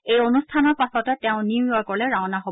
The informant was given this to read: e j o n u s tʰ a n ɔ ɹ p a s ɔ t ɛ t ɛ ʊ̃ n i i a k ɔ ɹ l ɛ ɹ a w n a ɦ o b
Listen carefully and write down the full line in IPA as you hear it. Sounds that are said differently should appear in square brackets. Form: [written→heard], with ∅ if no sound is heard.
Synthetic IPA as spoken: e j o n u s tʰ a n ɔ ɹ p a s ɔ t ɛ t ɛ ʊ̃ n i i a k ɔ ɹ l ɛ ɹ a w n a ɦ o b